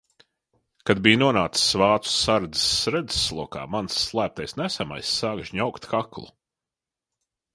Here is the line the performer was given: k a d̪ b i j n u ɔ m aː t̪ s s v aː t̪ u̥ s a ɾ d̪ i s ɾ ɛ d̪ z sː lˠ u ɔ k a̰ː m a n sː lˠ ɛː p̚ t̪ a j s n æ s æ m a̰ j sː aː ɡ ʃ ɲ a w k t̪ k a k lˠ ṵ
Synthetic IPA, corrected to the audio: k a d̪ b i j n u ɔ n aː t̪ s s v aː t̪ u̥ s a ɾ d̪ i s ɾ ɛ d̪ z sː lˠ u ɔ k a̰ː m a n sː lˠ æː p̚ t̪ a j s n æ s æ m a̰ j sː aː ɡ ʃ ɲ a w k t̪ k a k lˠ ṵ